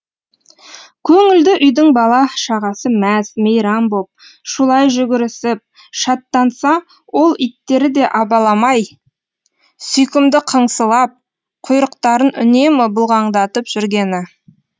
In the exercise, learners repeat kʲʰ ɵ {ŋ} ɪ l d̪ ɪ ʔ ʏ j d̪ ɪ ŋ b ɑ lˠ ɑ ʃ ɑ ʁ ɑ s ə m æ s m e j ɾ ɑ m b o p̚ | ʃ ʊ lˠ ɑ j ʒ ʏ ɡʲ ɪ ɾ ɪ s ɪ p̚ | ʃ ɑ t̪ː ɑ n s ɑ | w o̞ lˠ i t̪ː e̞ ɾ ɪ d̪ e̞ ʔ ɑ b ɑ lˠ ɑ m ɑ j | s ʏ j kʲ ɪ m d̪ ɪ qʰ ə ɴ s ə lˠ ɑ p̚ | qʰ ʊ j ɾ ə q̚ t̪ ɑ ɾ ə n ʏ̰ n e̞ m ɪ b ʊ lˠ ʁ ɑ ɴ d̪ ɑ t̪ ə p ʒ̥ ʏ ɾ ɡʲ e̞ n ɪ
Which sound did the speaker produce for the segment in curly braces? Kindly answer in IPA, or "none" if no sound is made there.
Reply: ŋ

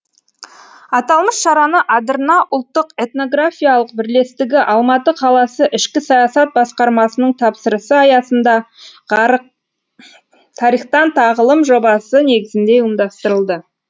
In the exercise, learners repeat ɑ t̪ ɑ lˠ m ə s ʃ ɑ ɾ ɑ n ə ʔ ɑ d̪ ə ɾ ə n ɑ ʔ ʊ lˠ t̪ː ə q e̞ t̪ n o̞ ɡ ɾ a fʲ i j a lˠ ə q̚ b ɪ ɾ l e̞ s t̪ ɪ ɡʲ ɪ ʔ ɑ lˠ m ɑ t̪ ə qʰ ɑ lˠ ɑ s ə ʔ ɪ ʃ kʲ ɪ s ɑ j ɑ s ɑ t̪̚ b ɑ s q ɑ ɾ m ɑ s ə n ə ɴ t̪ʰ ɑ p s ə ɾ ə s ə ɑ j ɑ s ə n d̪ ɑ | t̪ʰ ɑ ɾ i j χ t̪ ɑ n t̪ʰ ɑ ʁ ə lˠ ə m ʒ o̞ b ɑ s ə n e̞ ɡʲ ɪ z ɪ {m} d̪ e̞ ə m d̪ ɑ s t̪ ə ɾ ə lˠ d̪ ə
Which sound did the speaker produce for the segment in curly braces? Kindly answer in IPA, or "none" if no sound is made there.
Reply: n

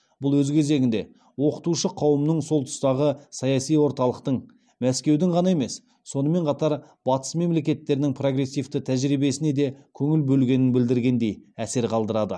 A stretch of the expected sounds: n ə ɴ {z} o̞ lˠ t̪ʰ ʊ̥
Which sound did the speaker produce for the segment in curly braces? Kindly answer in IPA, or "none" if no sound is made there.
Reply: s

